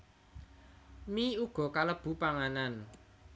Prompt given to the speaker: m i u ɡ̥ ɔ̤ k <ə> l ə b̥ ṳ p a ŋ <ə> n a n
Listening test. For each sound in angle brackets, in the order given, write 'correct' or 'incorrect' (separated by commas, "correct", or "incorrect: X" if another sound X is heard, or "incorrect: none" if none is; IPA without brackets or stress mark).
incorrect: a, incorrect: a